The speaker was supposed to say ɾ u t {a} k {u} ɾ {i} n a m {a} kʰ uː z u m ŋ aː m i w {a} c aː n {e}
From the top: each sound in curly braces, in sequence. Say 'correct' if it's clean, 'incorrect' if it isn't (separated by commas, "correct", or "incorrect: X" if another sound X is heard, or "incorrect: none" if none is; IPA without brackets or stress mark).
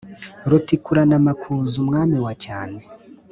incorrect: i, correct, incorrect: a, correct, correct, correct